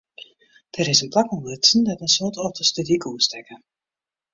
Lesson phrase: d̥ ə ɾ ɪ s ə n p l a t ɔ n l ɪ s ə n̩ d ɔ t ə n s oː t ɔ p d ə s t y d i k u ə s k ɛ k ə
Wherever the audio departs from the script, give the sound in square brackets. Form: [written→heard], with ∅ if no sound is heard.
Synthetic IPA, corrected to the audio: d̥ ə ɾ ɪ s ə n p l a [t→k] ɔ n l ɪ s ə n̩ d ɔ t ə n s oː t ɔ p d ə s t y d i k u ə s [k→t] ɛ k ə